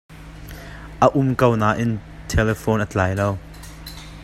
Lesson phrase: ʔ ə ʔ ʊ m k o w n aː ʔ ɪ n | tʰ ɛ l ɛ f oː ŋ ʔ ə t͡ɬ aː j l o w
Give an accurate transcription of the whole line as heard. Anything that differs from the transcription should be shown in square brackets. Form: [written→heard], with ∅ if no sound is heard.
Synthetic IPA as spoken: ʔ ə ʔ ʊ m k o w n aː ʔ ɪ n | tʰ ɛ l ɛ f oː [ŋ→n] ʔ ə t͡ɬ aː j l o w